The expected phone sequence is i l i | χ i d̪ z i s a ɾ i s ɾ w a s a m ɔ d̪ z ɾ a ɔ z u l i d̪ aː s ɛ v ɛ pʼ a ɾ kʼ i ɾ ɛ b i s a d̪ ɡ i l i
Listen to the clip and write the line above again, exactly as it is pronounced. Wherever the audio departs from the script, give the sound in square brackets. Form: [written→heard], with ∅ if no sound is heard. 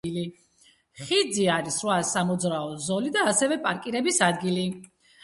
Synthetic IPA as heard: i l i | χ i d̪ z i [s→∅] a ɾ i s ɾ w a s a m ɔ d̪ z ɾ a ɔ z [u→ɔ] l i d̪ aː s ɛ v ɛ pʼ a ɾ kʼ i ɾ ɛ b i s a d̪ ɡ i l i

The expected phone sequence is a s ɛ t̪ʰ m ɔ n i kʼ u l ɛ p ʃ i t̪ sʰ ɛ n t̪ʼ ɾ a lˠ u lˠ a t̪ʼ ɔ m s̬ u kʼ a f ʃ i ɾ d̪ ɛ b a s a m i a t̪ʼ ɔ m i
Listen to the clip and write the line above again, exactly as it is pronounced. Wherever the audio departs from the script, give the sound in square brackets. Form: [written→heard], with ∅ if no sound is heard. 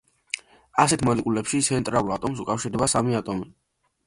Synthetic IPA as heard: a s ɛ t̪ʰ m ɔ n i kʼ u l ɛ p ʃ i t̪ sʰ ɛ n t̪ʼ ɾ a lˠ u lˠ a t̪ʼ ɔ m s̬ u kʼ a f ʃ i ɾ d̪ ɛ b a s a m i a t̪ʼ ɔ m i

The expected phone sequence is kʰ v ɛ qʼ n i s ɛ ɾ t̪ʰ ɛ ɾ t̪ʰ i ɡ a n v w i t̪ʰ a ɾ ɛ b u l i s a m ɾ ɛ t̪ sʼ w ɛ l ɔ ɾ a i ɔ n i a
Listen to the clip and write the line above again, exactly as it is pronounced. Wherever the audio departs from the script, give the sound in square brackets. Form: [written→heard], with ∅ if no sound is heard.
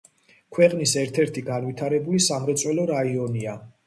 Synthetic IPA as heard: kʰ [v→w] ɛ qʼ n i s ɛ ɾ t̪ʰ ɛ ɾ t̪ʰ i ɡ a n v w i t̪ʰ a ɾ ɛ b u l i s a m ɾ ɛ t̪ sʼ w ɛ l ɔ ɾ a i ɔ n i a

